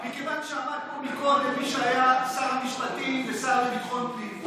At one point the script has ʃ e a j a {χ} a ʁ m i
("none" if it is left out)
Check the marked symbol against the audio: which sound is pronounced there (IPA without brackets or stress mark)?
s